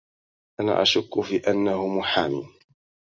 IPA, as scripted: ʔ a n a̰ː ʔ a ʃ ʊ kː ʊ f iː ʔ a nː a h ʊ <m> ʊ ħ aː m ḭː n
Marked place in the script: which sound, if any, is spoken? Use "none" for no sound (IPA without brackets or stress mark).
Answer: m